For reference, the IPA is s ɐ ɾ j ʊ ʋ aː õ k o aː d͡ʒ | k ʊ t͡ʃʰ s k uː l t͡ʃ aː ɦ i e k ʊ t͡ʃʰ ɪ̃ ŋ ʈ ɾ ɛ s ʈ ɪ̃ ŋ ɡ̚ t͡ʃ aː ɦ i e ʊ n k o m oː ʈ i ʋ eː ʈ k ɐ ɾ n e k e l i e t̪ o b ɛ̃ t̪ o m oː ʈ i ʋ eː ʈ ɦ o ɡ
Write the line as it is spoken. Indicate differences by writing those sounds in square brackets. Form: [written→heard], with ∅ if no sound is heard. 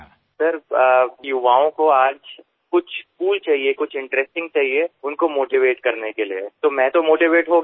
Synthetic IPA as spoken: s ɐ ɾ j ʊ ʋ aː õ k o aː d͡ʒ | k ʊ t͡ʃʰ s k uː l t͡ʃ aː ɦ i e k ʊ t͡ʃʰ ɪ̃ [ŋ→ɳ] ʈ ɾ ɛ s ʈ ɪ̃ ŋ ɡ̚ t͡ʃ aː ɦ i e ʊ n k o m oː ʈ i ʋ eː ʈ k ɐ ɾ n e k e l i e t̪ o [b→m] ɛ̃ t̪ o m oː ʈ i ʋ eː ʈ ɦ o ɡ